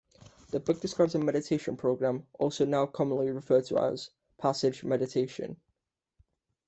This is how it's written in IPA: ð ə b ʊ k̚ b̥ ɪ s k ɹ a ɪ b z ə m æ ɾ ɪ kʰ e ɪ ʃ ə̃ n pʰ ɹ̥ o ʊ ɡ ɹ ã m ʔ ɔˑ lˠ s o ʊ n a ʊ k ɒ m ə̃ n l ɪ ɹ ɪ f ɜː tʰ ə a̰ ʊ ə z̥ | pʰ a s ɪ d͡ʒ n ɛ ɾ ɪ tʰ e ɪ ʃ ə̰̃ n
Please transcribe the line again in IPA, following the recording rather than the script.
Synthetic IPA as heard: ð ə b ʊ k̚ d̥ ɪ s k ɹ a ɪ b z ə m ɛ ɾ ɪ tʰ e ɪ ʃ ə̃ n pʰ ɹ̥ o ʊ ɡ ɹ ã m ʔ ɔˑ lˠ s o ʊ n a ʊ kʰ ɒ m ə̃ n l i ɹ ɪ f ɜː tʰ ə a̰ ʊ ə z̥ | pʰ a s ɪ d͡ʒ m ɛ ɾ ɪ tʰ e ɪ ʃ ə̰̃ n